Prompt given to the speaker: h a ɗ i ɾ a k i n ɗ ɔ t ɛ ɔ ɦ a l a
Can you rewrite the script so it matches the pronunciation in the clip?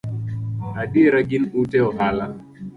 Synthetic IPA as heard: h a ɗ i ɾ a ɡ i n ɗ u t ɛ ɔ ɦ a l a